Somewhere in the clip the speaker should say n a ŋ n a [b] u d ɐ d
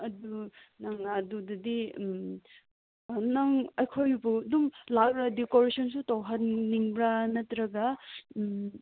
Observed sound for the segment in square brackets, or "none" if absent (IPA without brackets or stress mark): d